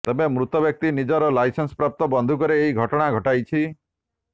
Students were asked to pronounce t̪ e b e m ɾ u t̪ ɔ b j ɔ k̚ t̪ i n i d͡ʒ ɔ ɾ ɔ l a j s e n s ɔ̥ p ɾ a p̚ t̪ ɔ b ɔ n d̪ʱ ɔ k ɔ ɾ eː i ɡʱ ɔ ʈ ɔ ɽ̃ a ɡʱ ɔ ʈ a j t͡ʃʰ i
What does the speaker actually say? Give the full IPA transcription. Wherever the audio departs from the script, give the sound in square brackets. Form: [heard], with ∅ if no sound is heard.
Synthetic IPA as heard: t̪ e b e m ɾ u t̪ ɔ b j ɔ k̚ t̪ i n i d͡ʒ ɔ ɾ ɔ l a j s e n s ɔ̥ p ɾ a p̚ t̪ ɔ b ɔ n d̪ʱ [u] k ɔ ɾ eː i ɡʱ ɔ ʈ ɔ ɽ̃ a ɡʱ ɔ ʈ a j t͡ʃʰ i